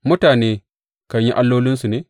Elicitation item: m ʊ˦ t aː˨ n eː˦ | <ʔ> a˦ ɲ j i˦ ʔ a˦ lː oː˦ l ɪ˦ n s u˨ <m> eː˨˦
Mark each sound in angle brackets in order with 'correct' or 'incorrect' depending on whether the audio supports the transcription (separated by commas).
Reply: incorrect, incorrect